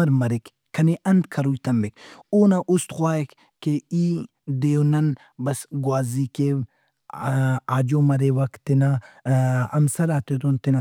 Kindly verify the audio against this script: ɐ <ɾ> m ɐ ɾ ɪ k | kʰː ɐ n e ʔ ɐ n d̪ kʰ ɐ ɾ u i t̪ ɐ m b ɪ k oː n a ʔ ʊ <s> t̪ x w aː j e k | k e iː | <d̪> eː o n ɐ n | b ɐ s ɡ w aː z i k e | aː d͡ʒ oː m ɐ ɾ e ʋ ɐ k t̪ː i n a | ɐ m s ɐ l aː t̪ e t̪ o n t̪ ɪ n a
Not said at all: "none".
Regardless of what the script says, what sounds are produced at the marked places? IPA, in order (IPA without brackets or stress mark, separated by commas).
ɾ, s, d̪